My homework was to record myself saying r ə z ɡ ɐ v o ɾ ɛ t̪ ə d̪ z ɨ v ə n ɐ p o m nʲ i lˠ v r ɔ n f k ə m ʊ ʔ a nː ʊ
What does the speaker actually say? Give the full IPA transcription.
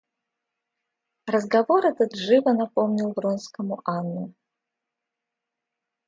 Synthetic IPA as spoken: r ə z ɡ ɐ v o ɾ ɛ t̪ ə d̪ ʐ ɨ v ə n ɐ p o m nʲ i lˠ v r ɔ n s k ə m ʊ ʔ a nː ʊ